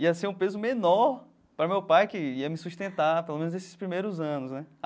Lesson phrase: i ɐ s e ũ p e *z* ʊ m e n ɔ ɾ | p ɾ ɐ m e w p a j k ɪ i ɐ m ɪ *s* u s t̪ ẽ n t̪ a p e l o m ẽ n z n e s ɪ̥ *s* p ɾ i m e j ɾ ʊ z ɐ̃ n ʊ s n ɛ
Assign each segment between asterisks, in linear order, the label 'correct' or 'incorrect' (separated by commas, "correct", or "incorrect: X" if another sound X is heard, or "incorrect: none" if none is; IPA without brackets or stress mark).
correct, correct, correct